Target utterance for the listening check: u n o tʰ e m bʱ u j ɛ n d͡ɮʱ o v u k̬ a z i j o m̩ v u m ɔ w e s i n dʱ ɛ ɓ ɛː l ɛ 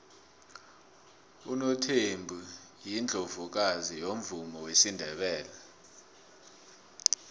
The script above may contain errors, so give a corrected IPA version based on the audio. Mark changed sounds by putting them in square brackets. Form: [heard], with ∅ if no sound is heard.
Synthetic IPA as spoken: u n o tʰ e m bʱ u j [i] n d͡ɮʱ o v u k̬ a z i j o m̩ v u m ɔ w e s i n dʱ ɛ ɓ ɛː l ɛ